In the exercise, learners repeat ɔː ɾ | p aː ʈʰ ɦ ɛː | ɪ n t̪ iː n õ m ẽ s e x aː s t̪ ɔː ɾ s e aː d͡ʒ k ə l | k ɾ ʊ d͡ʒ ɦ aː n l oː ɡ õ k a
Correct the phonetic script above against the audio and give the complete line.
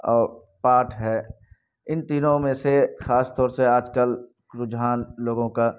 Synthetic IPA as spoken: ɔː ɾ | p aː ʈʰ ɦ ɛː | ɪ n t̪ iː n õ m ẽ s e x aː s t̪ ɔː ɾ s e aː d͡ʒ k ə l | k ɾ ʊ d͡ʒ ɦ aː n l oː ɡ õ k a